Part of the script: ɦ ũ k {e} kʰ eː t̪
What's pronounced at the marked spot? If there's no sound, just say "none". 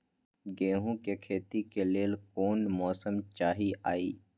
e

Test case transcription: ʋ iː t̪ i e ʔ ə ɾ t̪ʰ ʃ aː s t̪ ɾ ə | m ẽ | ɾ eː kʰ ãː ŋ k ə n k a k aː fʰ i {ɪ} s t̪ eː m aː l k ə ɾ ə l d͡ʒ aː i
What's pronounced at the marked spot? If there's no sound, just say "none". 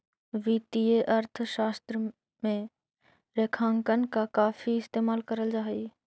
ɪ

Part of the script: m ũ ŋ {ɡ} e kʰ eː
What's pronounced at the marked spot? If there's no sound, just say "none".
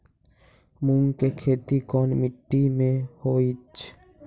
k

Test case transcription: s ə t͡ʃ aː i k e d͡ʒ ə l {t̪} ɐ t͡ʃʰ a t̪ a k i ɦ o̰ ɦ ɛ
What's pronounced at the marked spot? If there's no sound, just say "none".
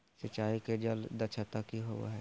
d̪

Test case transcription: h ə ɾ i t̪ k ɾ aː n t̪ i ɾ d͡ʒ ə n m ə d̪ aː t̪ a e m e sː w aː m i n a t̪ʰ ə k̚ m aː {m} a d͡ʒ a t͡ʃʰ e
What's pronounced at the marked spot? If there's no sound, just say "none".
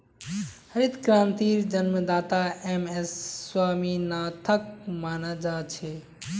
n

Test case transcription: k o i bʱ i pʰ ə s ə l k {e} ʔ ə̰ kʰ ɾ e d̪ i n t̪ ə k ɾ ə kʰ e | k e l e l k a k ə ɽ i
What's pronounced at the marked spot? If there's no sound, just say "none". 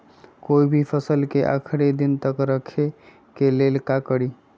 e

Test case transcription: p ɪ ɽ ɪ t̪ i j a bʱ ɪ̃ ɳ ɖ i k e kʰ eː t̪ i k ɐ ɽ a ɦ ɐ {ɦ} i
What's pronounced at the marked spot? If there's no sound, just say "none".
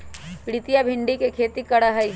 none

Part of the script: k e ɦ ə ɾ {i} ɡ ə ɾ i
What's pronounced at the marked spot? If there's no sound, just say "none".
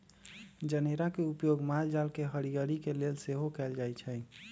i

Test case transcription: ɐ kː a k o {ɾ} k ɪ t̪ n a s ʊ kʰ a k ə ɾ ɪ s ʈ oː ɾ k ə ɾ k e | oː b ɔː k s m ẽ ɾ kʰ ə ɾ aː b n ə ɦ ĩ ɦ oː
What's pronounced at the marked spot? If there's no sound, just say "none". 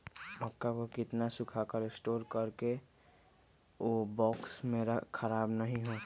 none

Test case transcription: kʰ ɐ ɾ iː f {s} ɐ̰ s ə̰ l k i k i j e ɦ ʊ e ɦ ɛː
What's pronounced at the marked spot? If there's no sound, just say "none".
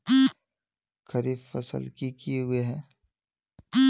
f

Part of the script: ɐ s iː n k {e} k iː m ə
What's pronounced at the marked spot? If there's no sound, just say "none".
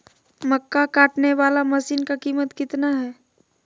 a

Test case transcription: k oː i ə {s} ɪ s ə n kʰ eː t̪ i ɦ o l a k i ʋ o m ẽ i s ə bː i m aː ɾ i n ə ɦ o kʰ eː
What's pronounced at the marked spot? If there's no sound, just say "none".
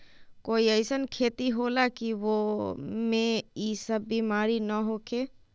none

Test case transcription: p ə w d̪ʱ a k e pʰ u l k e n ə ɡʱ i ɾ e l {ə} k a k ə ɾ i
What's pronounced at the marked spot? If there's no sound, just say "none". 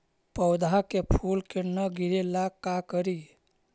a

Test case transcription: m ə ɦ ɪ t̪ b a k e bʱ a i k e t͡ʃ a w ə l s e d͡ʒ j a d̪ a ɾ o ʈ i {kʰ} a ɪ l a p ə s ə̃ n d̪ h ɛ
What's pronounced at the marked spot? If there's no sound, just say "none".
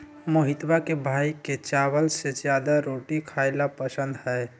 kʰ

